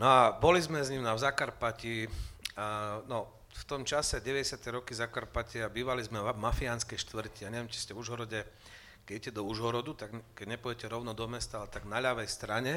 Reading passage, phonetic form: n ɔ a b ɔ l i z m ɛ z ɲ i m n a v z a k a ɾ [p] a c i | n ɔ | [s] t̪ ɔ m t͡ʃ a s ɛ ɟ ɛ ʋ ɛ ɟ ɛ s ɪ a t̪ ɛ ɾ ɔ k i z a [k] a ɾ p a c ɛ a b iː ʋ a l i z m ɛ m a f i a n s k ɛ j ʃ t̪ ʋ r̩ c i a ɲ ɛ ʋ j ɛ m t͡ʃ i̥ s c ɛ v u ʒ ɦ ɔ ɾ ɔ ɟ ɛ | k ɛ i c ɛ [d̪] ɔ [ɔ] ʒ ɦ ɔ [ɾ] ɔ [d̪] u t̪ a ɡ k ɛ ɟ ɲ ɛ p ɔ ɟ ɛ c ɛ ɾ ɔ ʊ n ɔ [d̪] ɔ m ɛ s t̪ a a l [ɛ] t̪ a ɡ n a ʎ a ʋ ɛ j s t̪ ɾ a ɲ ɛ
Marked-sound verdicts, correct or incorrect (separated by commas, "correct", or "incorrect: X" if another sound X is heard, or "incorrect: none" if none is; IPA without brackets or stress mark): correct, incorrect: f, correct, correct, incorrect: u, correct, correct, correct, correct